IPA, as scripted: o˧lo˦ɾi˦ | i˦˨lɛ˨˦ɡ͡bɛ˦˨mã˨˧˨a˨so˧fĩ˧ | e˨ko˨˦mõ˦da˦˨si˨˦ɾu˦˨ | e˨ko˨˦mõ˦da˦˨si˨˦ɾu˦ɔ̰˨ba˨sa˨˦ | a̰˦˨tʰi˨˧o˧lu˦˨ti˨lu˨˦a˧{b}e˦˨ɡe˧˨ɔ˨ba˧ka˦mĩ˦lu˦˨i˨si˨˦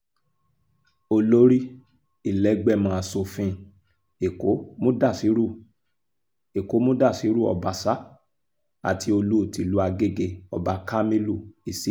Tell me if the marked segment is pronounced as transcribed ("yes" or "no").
no